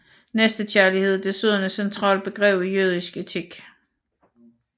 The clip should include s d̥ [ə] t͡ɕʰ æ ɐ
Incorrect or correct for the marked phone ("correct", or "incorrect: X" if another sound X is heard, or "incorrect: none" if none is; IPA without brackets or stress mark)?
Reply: correct